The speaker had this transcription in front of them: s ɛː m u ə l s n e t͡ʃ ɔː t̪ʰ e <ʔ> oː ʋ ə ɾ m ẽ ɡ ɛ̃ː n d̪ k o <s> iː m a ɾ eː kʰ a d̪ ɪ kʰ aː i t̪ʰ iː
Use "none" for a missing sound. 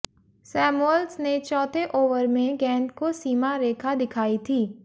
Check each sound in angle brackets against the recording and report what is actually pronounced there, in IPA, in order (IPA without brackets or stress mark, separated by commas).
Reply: ʔ, s